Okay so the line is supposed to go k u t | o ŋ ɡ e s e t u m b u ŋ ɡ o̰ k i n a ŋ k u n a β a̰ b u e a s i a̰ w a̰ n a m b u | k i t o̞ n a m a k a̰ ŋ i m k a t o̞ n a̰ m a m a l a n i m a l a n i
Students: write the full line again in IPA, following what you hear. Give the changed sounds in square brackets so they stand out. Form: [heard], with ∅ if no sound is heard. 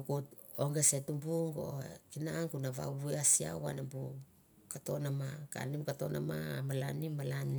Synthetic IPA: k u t | o ŋ ɡ e s e t u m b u ŋ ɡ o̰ k i n a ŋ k u n a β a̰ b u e a s i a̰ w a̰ n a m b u | k [a] t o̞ n a m a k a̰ [n] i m k a t o̞ n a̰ m a m a l a n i m a l a n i

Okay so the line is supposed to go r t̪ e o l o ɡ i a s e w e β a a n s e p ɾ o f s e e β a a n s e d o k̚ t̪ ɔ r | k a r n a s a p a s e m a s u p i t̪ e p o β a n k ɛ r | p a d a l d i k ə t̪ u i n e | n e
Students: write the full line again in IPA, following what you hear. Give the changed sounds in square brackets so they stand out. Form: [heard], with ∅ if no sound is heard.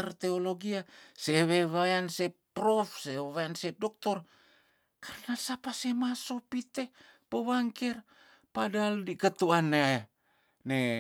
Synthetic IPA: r t̪ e o l o ɡ i a s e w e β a a n s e p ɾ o f s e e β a a n s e d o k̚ t̪ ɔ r | k a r n a s a p a s e m a s [o] p i t̪ e p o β a [ŋ] k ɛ r | p a d a l d i k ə t̪ u [a] n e | n e

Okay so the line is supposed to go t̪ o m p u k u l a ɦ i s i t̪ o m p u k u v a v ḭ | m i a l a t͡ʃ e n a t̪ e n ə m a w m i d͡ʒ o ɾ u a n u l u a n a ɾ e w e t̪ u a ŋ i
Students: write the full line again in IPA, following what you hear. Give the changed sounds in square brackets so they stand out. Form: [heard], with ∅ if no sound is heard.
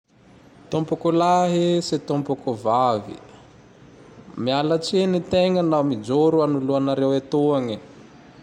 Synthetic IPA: t̪ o m p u k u l a ɦ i s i t̪ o m p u k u v a v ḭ | m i a l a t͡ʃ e n [i] t̪ e [ŋ] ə [n] a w m i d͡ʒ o ɾ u a n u l u a n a ɾ e w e t̪ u a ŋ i

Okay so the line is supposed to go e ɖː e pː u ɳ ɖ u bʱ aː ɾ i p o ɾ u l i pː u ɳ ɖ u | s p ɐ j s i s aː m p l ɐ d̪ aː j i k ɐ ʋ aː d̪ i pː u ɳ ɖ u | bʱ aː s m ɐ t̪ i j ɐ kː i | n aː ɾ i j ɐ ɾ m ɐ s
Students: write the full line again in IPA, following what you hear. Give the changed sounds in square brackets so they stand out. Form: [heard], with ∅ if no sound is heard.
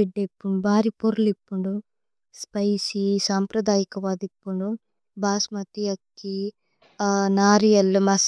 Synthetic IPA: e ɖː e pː u ɳ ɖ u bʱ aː ɾ i p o ɾ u l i pː u ɳ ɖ u | s p ɐ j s i s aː m p [ɾ] ɐ d̪ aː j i k ɐ ʋ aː d̪ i pː u ɳ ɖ u | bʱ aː s m ɐ t̪ i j ɐ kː i | n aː ɾ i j ɐ [l] m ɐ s

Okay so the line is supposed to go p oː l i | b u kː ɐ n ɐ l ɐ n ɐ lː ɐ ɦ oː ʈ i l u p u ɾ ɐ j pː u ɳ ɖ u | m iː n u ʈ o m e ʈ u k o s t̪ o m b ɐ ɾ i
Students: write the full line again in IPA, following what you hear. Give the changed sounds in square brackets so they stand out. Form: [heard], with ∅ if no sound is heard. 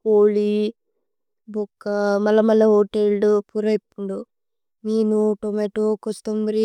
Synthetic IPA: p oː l i | b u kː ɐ [m] ɐ l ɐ [m] ɐ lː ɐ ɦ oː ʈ [e] l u p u ɾ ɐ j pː u ɳ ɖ u | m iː n u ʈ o m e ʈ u k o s t̪ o m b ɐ ɾ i

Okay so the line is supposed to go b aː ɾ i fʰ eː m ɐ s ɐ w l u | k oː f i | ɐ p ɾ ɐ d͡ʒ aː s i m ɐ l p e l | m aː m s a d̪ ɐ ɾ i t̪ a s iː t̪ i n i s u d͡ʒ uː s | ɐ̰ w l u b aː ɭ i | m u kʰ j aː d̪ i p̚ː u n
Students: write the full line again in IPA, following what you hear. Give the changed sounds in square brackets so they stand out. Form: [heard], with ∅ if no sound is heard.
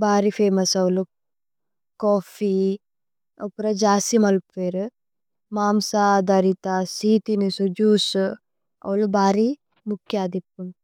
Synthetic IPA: b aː ɾ i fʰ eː m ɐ s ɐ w l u | k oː f i | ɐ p ɾ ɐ d͡ʒ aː s i m ɐ l p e [ɾ] | m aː m s a d̪ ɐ ɾ i t̪ a s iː t̪ i n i s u d͡ʒ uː s | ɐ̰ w l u b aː [ɾ] i | m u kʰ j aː d̪ i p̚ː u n

